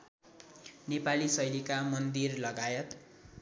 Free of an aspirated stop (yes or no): yes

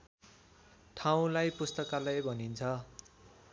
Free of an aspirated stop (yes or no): no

